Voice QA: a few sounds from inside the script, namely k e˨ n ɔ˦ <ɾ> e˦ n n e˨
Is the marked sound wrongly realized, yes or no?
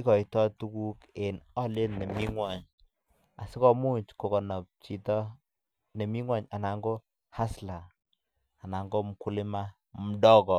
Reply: yes